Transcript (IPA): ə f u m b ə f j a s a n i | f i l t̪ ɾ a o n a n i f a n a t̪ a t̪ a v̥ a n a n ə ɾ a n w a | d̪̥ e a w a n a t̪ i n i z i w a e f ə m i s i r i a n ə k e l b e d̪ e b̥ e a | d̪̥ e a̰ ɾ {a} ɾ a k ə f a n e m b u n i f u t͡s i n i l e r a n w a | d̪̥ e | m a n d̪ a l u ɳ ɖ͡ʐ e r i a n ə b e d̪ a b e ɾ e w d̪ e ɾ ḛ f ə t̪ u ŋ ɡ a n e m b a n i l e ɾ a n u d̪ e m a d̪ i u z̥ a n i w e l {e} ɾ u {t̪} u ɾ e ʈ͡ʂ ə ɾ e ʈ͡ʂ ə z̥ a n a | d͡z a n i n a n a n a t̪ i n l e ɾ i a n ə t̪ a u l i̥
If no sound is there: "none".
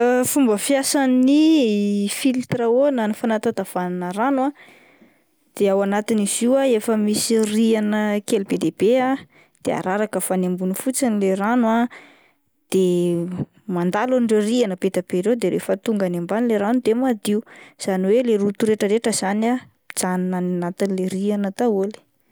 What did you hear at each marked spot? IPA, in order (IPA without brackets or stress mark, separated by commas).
a, e, t̪